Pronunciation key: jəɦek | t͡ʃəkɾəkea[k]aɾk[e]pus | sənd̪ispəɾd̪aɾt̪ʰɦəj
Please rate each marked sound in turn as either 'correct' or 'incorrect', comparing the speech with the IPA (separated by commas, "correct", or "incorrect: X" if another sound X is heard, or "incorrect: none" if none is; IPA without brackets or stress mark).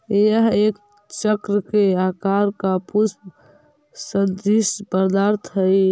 correct, incorrect: a